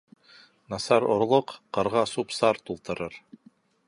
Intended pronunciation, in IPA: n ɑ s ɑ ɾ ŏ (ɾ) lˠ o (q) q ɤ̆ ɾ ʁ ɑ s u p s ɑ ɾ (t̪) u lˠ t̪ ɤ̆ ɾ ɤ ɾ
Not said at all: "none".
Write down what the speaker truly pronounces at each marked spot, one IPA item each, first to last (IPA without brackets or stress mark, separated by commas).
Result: ɾ, q, t̪